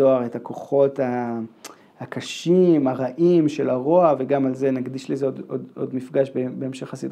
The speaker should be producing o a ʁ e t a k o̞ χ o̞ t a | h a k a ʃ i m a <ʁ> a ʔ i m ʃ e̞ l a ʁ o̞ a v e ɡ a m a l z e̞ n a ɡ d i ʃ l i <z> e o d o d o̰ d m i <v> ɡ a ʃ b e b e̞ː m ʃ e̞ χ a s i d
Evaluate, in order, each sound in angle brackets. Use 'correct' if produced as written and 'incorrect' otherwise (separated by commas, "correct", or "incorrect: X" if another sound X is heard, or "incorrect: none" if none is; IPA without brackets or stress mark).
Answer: correct, correct, incorrect: f